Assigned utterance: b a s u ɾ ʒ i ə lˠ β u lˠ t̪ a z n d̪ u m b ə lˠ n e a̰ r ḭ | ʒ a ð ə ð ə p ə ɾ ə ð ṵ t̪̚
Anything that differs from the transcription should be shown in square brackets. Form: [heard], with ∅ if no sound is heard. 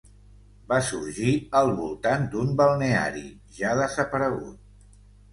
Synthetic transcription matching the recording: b a s u ɾ ʒ i ə lˠ β u lˠ t̪ a [∅] n d̪ u m b ə lˠ n e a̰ [ɾ] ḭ | ʒ a ð ə [z] ə p ə ɾ ə [ɣ] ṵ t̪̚